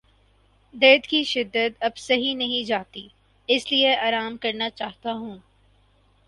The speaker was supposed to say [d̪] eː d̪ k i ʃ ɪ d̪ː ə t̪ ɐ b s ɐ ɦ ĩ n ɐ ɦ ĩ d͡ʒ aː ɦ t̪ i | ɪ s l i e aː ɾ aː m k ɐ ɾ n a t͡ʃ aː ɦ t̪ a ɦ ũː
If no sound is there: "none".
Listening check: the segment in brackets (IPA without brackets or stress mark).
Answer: d̪